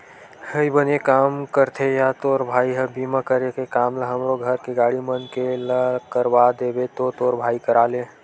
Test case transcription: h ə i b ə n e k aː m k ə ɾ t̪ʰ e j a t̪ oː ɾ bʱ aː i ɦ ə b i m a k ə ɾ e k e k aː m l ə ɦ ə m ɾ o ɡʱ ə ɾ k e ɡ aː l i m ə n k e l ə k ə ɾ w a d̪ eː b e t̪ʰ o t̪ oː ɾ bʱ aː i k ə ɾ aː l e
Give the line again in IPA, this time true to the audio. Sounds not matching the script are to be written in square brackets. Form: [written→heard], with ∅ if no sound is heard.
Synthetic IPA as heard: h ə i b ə n e k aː m k ə ɾ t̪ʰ e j a t̪ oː ɾ bʱ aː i ɦ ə b i m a k ə ɾ e k e k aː m l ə ɦ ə m ɾ o ɡʱ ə ɾ k e ɡ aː [l→ɽ] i m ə n k e l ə k ə ɾ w a d̪ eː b e [t̪ʰ→t̪] o t̪ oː ɾ bʱ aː i k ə ɾ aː l e